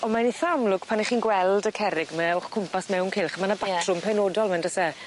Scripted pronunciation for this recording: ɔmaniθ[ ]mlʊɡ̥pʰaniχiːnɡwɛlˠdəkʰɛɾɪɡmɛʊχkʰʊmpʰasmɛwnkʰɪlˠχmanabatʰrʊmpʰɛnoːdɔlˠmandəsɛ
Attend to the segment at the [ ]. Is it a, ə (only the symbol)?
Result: a